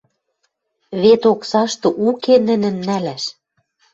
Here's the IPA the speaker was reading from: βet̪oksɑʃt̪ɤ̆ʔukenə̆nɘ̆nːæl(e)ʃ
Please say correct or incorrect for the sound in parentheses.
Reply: incorrect